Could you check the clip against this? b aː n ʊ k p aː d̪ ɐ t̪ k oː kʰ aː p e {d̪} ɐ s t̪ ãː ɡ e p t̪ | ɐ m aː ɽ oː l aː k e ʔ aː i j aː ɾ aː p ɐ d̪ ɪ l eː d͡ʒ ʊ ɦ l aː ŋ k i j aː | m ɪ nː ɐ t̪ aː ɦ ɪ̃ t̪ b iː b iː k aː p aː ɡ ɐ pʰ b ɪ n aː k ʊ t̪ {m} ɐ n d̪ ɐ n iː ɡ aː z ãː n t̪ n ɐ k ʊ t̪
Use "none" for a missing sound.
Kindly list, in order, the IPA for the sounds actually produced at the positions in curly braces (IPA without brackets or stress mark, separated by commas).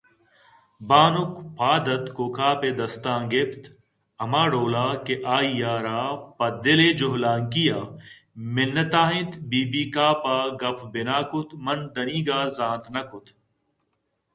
d̪, m